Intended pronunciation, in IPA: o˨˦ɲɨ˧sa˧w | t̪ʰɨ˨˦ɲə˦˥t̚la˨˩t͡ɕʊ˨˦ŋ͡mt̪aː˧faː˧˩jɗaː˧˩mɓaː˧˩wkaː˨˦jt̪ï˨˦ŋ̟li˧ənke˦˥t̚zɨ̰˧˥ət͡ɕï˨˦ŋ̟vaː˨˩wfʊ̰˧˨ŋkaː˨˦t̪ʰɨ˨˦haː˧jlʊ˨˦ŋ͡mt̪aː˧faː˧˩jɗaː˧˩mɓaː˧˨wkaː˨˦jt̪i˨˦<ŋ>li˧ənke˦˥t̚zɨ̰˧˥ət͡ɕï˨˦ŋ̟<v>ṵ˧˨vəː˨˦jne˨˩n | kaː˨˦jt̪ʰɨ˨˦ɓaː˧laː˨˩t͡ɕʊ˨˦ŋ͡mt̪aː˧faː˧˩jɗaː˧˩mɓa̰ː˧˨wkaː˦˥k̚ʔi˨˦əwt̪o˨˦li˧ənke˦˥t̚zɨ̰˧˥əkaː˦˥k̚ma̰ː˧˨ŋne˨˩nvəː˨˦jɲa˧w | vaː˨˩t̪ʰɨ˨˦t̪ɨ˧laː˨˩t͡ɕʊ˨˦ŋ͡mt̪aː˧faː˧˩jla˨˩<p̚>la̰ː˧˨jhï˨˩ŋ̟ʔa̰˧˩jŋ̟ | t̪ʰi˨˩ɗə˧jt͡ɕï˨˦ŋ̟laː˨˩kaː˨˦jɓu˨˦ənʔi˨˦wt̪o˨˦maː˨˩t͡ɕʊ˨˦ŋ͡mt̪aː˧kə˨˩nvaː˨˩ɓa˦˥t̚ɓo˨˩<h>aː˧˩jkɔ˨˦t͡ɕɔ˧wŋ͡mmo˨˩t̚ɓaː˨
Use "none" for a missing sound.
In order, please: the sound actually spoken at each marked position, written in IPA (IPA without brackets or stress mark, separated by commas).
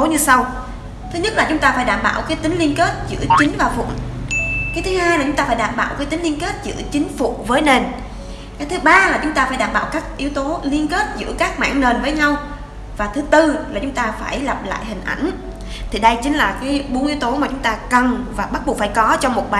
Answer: ŋ, f, p̚, f